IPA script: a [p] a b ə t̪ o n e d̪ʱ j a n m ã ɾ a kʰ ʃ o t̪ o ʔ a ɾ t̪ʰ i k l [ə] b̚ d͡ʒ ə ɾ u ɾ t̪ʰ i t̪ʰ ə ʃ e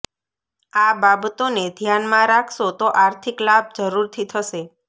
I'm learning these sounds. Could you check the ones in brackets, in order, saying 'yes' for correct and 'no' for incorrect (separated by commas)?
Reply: no, no